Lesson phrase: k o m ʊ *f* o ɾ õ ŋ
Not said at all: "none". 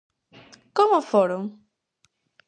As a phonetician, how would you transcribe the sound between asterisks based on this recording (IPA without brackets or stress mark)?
f